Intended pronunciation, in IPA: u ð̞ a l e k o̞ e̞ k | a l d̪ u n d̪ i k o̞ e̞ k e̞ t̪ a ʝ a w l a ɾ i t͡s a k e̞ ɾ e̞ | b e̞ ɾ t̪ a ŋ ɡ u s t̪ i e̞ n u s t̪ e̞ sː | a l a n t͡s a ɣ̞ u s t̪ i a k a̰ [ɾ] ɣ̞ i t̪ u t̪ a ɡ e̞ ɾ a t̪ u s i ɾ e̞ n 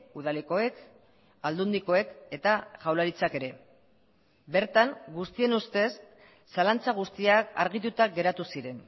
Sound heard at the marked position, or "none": ɾ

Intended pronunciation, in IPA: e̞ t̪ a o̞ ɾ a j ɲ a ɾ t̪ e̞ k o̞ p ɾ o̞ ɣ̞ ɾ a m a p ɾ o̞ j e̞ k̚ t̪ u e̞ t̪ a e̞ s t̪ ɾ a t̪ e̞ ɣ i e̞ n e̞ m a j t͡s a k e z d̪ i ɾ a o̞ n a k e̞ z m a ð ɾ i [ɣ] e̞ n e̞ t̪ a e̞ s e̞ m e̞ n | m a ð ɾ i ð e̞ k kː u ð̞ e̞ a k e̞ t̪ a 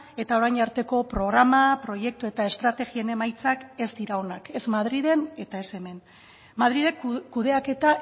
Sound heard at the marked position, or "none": ð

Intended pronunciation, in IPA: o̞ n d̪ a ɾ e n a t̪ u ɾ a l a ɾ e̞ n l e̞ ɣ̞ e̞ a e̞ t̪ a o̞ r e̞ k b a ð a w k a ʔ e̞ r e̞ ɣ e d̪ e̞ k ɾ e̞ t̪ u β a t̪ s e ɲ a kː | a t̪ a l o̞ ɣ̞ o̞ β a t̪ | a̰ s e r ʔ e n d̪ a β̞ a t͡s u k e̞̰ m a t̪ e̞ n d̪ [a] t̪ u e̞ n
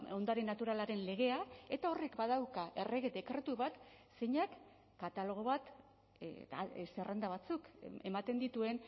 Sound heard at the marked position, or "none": i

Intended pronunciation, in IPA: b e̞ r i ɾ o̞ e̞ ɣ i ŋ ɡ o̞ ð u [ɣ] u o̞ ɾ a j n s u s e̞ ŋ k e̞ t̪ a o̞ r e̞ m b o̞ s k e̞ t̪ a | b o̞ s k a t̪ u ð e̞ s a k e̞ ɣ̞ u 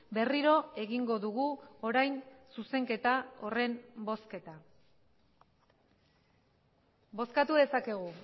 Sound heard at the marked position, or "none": ɣ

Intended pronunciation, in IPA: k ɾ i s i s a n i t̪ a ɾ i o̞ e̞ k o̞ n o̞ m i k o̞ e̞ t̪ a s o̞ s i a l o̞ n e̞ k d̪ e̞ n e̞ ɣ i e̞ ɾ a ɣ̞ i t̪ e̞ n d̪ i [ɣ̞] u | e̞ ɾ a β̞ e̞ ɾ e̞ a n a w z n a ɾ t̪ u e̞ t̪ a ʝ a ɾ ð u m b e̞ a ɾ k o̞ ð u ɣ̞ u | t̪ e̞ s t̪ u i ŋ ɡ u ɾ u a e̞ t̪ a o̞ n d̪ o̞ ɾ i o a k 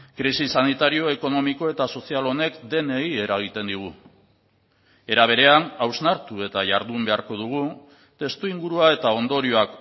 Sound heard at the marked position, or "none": ɣ̞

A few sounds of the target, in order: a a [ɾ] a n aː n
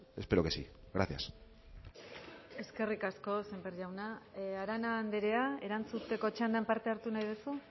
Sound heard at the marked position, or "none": ɾ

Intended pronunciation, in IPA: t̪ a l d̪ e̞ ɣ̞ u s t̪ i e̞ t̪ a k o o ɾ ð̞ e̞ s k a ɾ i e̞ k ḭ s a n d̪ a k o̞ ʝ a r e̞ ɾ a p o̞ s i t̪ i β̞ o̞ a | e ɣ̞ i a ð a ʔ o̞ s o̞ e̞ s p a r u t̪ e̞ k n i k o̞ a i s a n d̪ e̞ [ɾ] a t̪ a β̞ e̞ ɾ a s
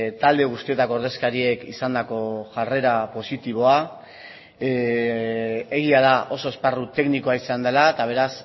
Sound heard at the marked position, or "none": l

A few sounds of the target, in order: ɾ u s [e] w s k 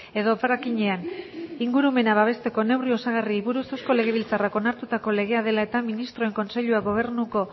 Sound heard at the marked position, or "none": e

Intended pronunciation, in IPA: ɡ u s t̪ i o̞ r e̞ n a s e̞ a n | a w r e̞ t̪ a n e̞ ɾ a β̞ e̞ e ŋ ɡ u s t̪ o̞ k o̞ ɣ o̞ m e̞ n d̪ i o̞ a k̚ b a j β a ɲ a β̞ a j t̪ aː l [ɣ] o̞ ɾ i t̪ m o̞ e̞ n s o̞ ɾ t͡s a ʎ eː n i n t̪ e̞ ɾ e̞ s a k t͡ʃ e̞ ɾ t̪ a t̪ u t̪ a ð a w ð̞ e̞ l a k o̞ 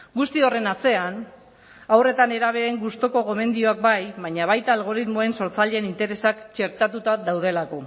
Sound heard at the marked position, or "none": ɣ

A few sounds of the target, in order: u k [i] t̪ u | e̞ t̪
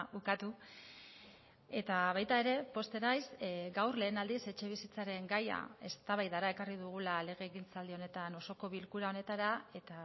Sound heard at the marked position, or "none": a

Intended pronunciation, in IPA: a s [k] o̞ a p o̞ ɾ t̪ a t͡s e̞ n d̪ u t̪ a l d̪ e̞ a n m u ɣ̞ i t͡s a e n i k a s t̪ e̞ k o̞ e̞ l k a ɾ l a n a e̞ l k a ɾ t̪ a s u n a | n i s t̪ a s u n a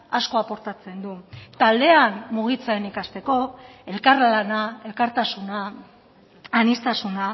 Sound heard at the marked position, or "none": k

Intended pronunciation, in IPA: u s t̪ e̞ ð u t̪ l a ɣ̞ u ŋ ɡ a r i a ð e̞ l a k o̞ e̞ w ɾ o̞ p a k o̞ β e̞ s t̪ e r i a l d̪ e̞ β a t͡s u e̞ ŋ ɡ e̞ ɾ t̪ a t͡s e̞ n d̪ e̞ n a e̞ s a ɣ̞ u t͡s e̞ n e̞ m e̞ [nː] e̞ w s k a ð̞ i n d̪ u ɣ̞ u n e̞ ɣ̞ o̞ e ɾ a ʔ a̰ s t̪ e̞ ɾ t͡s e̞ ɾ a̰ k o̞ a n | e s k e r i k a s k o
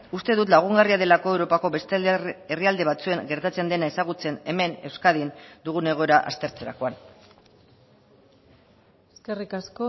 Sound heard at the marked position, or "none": n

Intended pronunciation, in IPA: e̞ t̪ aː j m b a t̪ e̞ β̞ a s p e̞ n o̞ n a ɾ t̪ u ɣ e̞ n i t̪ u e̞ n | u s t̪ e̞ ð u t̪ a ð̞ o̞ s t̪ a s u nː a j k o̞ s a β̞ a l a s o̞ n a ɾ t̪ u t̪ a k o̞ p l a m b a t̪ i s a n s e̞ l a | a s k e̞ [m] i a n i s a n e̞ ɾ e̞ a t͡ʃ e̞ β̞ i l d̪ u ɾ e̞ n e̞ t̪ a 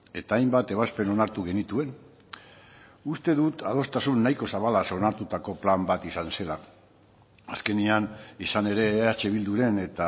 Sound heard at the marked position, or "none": n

